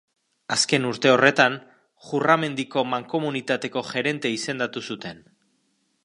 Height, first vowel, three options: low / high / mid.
low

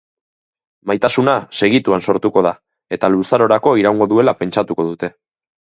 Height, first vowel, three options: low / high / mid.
low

